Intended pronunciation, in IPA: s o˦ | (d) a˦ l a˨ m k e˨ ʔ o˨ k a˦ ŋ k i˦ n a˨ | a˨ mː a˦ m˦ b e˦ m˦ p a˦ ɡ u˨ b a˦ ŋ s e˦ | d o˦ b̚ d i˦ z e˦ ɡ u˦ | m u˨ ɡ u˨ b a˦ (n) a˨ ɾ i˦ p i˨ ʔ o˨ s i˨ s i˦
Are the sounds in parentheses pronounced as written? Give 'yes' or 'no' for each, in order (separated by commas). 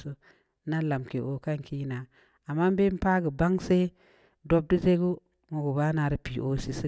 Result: no, yes